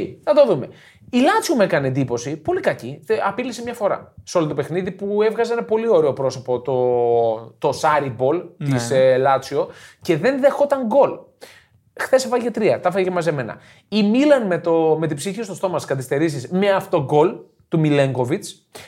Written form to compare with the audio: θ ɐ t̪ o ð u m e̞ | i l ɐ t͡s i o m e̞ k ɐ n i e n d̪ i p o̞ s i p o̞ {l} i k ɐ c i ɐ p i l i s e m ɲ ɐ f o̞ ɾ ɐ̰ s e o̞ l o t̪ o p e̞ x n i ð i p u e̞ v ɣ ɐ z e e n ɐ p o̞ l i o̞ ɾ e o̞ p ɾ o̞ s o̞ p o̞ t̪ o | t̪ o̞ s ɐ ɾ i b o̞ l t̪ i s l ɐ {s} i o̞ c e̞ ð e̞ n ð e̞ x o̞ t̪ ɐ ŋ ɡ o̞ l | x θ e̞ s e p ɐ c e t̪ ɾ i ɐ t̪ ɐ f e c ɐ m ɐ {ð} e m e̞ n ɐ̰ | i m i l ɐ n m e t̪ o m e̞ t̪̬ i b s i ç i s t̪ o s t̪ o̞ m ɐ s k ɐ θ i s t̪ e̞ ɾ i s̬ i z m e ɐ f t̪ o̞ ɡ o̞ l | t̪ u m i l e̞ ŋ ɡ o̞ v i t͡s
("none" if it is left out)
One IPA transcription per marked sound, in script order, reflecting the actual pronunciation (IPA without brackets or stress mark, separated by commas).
l, t͡s, z